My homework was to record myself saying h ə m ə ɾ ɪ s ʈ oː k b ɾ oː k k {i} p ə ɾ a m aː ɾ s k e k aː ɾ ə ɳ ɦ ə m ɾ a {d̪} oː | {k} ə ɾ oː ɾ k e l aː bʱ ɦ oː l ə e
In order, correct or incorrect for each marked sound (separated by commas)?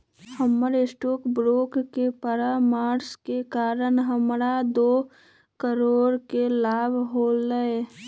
incorrect, correct, correct